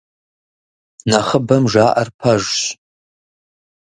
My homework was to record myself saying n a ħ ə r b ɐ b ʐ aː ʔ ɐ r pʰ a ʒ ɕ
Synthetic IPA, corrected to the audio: n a χ ə b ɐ m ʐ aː ʔ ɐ r pʰ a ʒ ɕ

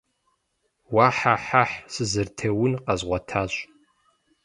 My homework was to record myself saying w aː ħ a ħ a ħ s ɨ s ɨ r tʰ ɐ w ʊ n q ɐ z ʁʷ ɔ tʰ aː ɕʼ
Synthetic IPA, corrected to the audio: w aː ħ a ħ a ħ s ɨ z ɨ r tʰ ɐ w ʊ n q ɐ z ʁʷ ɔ tʰ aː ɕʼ

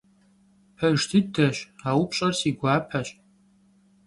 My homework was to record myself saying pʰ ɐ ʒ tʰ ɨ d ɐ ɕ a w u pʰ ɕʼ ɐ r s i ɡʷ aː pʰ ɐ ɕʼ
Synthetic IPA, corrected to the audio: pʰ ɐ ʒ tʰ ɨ d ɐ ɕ a w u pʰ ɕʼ ɐ r s i ɡʷ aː pʰ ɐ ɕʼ

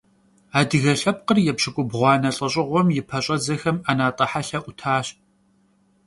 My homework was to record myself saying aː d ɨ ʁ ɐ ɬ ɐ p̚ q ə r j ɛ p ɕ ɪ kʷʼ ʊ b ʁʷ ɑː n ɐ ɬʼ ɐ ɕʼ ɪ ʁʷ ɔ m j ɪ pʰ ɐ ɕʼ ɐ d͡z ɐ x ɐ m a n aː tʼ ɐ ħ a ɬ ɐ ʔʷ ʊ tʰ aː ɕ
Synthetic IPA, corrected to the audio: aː d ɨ ɣ ɐ ɬ ɐ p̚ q ə r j ɛ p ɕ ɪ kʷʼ ʊ b ʁʷ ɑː n ɐ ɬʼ ɐ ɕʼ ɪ ʁʷ ɔ m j ɪ pʰ ɐ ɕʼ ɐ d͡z ɐ x ɐ m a n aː tʼ ɐ ħ a ɬ ɐ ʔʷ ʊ tʰ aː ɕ

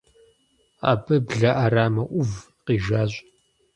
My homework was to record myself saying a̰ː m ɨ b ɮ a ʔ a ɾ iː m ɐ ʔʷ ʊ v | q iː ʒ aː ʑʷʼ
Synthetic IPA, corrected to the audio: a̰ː b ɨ b ɮ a ʔ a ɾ aː m ɐ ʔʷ ʊ v | q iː ʒ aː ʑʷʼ

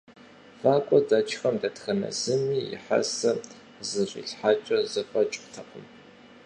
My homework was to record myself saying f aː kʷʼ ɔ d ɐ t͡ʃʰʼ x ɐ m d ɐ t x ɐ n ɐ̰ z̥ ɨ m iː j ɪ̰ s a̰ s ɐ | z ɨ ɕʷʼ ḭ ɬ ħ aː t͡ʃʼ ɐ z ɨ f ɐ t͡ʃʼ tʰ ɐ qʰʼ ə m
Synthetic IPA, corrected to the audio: f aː kʷʼ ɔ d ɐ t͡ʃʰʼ x ɐ m d ɐ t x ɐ n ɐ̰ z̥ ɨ m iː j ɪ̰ ħ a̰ s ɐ | z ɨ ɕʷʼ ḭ ɬ ħ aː t͡ʃʼ ɐ z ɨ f ɐ t͡ʃʼ tʰ ɐ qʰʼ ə m

